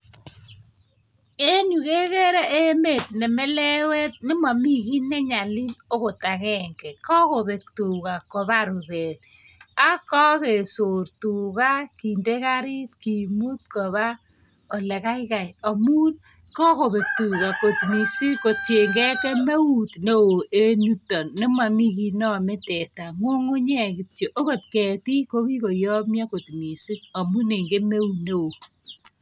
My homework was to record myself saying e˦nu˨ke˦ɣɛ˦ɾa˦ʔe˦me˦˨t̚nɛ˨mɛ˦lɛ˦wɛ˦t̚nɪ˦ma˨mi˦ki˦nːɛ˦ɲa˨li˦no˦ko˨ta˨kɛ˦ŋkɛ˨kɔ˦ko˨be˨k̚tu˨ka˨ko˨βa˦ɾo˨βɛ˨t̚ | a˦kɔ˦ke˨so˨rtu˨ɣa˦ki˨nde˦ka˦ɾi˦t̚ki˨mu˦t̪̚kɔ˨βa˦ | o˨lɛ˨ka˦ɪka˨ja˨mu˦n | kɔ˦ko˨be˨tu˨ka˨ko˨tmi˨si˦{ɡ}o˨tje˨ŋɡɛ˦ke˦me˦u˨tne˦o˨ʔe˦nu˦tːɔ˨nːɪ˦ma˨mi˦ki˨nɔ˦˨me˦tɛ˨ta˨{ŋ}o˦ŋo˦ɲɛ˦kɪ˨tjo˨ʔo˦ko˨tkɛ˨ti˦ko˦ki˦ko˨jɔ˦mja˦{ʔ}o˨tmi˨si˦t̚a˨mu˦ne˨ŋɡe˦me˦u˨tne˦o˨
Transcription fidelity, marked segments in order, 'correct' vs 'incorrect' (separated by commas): incorrect, correct, incorrect